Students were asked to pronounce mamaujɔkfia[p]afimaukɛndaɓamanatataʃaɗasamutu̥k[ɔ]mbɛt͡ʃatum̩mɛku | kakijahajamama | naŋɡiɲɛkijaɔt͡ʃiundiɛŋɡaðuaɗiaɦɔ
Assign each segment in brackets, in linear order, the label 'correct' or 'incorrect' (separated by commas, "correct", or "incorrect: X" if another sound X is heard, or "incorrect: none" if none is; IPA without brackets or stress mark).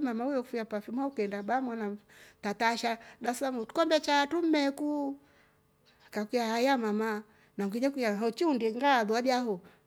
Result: correct, correct